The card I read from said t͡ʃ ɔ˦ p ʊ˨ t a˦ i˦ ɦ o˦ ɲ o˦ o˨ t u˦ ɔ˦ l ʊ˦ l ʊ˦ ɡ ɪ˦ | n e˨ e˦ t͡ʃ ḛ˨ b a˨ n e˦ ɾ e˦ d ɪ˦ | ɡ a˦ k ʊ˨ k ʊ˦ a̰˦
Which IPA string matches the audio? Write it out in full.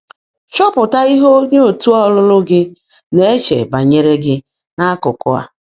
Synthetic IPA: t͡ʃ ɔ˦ p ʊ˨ t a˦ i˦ ɦ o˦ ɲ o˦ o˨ t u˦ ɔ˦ l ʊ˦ l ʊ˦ ɡ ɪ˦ | n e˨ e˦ t͡ʃ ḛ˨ b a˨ ɲ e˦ ɾ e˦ ɡ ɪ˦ | ŋ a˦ k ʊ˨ k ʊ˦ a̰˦